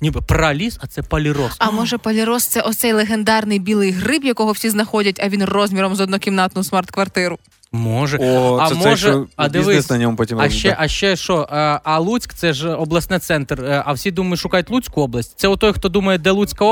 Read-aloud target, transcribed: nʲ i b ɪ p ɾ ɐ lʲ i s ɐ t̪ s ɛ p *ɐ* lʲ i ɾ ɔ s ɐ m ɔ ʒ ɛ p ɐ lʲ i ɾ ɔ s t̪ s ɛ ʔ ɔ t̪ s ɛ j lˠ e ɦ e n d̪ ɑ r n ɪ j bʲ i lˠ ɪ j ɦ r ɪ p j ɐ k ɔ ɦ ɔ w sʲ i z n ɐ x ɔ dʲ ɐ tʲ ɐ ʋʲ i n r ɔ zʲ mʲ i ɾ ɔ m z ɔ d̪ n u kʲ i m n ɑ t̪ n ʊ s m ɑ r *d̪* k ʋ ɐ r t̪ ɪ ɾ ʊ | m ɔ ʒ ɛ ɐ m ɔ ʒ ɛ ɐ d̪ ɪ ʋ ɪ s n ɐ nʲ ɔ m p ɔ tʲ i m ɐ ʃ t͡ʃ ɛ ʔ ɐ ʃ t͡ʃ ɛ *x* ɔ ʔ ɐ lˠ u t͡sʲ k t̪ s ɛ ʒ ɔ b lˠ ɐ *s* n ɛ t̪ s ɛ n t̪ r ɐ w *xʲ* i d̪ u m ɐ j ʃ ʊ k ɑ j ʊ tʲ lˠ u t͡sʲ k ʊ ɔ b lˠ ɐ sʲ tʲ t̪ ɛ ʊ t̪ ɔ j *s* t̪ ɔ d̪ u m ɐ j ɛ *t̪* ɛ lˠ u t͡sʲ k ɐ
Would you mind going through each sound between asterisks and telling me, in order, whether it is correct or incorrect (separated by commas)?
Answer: correct, incorrect, incorrect, correct, incorrect, incorrect, incorrect